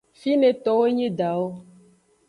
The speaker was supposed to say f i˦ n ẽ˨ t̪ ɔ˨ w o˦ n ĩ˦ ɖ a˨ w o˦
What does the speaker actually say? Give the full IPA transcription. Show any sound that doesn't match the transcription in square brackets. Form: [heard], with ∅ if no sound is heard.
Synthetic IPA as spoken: f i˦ n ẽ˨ t̪ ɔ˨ w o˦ [ɲ] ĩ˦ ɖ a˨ w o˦